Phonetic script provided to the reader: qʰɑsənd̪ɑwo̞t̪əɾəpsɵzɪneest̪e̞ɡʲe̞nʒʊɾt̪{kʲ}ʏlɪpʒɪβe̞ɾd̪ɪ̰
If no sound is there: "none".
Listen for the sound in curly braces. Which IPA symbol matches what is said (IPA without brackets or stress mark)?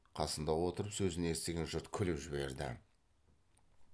kʲʰ